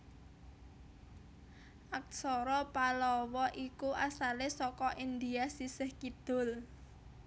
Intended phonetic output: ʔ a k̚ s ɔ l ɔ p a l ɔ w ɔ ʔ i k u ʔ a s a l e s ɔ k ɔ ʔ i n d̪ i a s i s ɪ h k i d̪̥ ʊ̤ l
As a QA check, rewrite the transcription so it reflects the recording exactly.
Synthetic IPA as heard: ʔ a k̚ s ɔ ɾ ɔ p a l ɔ w ɔ ʔ i k u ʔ a s a l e s ɔ k ɔ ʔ i n d̪ i a s i s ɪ h k i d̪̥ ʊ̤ l